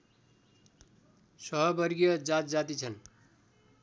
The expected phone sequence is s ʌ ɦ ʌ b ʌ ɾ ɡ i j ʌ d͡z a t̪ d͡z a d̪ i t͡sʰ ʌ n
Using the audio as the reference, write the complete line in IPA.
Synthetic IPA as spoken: s ʌ ɦ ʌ b ʌ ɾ ɡ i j ʌ d͡z a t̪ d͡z a t̪ i t͡sʰ ʌ n

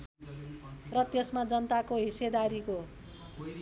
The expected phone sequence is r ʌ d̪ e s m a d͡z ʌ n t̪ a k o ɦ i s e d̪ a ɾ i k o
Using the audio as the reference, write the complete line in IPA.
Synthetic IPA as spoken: r ʌ t̪ e s m a d͡z ʌ n t̪ a k o ɦ i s e d̪ a ɾ i k o

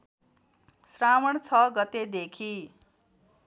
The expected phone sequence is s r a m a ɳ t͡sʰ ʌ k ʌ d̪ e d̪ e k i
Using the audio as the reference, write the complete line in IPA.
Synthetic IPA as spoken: s r a m ʌ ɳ t͡sʰ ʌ ɡ ʌ t̪ e d̪ e kʰ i

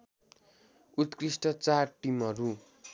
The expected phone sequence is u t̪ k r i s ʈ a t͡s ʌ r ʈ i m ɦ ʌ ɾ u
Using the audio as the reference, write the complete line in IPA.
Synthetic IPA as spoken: u t̪ k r i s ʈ ʌ t͡s a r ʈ i m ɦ ʌ ɾ u

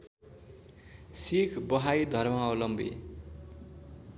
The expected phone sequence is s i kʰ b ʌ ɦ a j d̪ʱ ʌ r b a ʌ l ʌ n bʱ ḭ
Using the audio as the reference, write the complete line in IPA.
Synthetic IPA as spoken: s i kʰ b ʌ ɦ a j d̪ʱ ʌ r m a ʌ l ʌ m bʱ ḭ

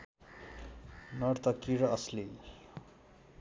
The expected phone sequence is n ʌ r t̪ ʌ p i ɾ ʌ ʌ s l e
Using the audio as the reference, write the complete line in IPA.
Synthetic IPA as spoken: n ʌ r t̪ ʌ k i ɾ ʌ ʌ s l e

